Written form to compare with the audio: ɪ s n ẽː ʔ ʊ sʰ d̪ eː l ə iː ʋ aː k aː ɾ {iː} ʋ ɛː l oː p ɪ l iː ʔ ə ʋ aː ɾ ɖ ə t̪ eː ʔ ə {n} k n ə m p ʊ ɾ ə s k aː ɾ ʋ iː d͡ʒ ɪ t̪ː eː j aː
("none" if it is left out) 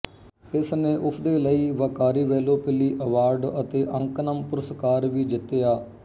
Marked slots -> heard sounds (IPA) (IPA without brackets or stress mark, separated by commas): iː, ŋ